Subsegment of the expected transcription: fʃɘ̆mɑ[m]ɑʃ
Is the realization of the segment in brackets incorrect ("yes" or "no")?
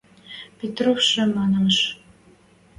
yes